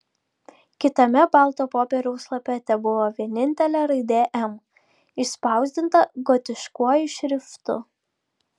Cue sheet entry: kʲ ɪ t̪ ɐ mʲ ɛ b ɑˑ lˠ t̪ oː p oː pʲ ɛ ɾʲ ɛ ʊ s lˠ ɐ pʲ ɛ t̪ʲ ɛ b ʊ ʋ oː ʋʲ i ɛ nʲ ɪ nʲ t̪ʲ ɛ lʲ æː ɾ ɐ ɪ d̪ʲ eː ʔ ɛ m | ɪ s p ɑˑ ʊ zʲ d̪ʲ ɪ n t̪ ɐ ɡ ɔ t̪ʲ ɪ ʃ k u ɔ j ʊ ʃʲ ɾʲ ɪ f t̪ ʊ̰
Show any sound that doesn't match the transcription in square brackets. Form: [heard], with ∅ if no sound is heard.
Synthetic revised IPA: kʲ ɪ t̪ ɐ mʲ ɛ b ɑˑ lˠ t̪ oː p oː pʲ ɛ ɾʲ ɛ ʊ s lˠ ɐ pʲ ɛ t̪ʲ ɛ b ʊ ʋ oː ʋʲ i ɛ nʲ ɪ nʲ t̪ʲ ɛ lʲ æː ɾ ɐ ɪ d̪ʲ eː ʔ ɛ m | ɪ s p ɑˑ ʊ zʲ d̪ʲ ɪ n t̪ ɐ ɡ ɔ t̪ʲ ɪ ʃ k u ɔ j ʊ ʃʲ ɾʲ ɪ f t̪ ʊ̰